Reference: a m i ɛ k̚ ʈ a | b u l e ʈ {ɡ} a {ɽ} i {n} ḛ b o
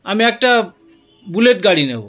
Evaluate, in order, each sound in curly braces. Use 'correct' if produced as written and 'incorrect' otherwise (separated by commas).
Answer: correct, correct, correct